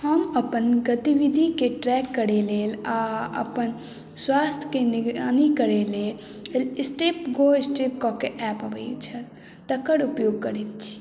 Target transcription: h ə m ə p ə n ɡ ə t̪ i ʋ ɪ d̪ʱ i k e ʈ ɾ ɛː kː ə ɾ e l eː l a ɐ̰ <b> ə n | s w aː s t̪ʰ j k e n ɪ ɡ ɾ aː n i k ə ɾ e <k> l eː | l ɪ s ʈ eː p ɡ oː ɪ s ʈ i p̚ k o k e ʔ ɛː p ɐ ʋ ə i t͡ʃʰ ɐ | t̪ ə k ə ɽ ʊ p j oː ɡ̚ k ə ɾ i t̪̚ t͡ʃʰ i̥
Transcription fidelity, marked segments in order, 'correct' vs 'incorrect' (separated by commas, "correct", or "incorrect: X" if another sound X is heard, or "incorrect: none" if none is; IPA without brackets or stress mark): incorrect: p, incorrect: none